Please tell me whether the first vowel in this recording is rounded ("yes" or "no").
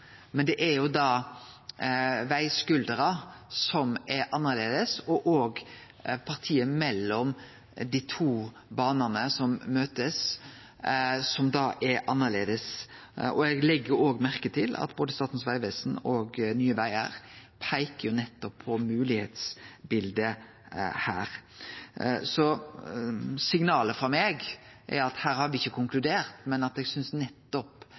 no